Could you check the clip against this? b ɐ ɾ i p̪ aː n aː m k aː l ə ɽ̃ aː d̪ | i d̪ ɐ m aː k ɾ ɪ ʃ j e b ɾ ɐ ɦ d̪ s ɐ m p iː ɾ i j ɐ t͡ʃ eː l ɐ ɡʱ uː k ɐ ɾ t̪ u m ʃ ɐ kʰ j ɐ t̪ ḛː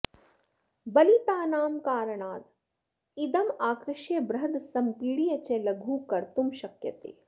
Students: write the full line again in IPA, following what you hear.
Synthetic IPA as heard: b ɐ l i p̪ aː n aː m k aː ɾ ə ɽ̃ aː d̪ | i d̪ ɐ m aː k ɾ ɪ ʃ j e b ɾ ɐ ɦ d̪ s ɐ m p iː ɽ i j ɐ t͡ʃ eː l ɐ ɡʱ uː k ɐ ɾ t̪ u m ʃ ɐ k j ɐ t̪ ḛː